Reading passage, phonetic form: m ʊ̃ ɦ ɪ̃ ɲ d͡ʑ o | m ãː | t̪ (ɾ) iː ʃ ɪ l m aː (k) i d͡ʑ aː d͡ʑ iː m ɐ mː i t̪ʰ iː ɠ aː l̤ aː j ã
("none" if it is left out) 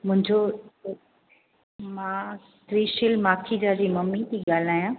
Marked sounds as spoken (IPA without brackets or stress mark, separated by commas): ɾ, kʰ